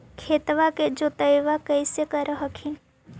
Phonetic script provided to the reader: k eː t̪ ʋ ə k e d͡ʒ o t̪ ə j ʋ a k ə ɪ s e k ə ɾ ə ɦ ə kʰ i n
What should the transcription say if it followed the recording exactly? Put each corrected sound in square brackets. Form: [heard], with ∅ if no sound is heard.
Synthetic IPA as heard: [kʰ] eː t̪ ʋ [a] k e d͡ʒ o t̪ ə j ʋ a k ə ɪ s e k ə ɾ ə ɦ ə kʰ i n